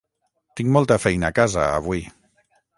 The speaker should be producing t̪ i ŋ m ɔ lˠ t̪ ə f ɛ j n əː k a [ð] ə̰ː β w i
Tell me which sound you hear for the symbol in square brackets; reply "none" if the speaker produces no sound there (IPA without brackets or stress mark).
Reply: z